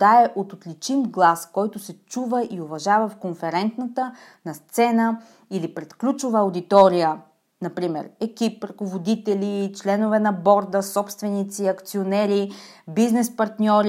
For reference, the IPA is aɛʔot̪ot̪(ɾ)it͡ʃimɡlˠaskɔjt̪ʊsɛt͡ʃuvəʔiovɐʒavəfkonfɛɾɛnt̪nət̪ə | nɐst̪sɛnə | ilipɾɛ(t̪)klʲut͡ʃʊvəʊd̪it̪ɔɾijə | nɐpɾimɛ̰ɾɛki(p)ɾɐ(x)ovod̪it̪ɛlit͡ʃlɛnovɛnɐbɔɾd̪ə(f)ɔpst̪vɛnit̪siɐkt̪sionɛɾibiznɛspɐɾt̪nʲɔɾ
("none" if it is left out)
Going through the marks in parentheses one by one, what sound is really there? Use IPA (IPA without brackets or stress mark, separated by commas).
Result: l, t̪, p, k, s